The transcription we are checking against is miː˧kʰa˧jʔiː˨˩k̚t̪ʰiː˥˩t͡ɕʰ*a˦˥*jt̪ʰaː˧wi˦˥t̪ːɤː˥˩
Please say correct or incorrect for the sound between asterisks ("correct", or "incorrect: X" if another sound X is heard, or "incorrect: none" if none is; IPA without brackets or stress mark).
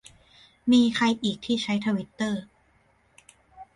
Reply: correct